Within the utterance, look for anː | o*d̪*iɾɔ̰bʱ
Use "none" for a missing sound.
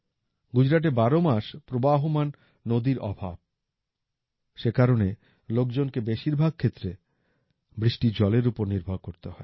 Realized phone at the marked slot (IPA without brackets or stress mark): d̪